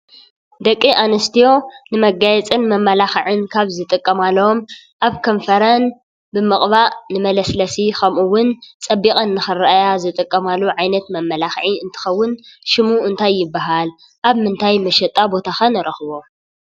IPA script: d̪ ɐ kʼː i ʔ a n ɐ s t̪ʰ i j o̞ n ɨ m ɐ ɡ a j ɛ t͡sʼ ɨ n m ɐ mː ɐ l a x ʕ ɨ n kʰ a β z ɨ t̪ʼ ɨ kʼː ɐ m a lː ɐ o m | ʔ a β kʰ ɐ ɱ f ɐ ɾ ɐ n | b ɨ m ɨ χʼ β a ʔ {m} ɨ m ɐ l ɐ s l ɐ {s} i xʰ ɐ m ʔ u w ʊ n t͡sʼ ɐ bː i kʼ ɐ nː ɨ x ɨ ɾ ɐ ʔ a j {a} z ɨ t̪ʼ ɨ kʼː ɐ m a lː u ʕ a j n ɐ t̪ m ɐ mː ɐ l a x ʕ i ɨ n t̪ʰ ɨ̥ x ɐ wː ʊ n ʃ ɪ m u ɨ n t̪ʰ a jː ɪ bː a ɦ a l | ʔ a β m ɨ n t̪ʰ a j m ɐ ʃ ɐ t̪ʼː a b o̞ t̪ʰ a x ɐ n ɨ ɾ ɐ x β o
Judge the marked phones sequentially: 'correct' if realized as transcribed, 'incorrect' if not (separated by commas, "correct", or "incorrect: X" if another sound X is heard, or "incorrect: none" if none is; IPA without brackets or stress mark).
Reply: incorrect: n, correct, correct